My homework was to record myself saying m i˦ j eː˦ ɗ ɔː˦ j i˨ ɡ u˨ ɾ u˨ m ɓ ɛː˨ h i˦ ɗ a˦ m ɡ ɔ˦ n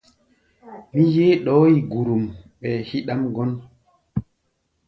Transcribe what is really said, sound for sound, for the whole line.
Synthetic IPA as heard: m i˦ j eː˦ ɗ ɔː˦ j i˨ ɡ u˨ ɾ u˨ m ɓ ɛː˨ h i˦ ɗ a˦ m ɡ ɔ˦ n